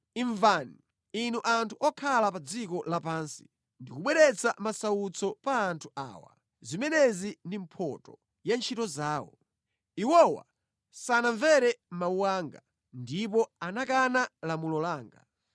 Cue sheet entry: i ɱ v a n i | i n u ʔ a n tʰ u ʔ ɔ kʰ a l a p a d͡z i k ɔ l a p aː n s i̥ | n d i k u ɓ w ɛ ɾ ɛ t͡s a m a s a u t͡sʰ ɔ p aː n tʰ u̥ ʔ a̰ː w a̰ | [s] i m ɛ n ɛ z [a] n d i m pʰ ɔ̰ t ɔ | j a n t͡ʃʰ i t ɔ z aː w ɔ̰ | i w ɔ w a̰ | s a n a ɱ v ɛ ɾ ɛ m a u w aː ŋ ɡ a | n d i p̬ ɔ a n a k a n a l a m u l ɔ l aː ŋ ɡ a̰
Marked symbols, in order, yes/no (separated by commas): no, no